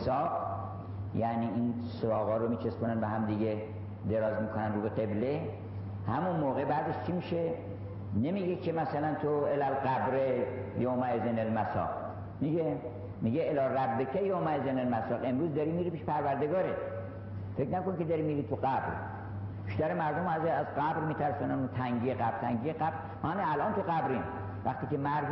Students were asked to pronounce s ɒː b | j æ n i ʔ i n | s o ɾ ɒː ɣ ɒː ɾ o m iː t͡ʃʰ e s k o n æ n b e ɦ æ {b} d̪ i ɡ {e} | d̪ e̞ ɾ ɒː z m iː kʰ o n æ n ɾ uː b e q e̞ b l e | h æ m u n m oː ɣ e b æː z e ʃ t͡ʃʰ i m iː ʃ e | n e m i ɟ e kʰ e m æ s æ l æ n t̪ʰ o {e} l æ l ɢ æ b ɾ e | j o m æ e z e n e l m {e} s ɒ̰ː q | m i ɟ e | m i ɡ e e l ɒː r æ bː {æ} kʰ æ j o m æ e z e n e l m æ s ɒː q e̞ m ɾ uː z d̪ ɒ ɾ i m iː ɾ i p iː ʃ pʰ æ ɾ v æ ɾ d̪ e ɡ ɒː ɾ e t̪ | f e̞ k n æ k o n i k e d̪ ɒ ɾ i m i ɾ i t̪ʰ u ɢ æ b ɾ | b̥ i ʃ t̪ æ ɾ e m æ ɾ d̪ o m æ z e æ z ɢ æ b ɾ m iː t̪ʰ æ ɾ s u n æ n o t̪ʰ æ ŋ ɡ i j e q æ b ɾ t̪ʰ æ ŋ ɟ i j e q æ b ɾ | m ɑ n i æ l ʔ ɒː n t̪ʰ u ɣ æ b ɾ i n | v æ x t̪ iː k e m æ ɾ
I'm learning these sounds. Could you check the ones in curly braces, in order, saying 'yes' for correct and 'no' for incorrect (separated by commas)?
no, yes, yes, no, no